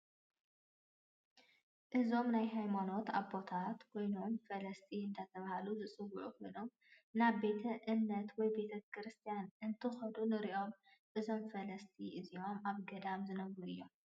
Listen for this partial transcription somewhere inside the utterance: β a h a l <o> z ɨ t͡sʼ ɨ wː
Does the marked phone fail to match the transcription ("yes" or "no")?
yes